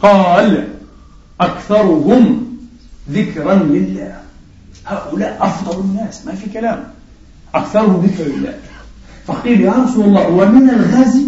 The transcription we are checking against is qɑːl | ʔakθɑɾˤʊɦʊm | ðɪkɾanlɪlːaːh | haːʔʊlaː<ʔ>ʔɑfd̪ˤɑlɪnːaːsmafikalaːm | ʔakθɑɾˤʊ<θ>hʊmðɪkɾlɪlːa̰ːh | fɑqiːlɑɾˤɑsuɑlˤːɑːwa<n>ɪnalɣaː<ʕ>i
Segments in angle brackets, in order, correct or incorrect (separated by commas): correct, incorrect, incorrect, incorrect